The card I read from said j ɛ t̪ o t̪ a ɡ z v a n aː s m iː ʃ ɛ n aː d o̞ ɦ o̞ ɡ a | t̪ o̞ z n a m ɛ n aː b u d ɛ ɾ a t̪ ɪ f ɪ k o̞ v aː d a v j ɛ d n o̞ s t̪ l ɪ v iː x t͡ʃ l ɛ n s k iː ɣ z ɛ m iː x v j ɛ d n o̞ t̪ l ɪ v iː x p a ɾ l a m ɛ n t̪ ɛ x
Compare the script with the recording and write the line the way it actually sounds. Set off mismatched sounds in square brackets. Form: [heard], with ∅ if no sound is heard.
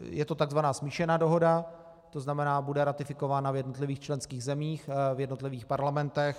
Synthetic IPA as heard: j ɛ t̪ o t̪ a ɡ z v a n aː s m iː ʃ ɛ n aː d o̞ ɦ o̞ [d] a | t̪ o̞ z n a m ɛ n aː b u d ɛ ɾ a t̪ ɪ f ɪ k o̞ v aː [n] a v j ɛ d n o̞ [∅] t̪ l ɪ v iː x t͡ʃ l ɛ n s k iː ɣ z ɛ m iː x v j ɛ d n o̞ t̪ l ɪ v iː x p a ɾ l a m ɛ n t̪ ɛ x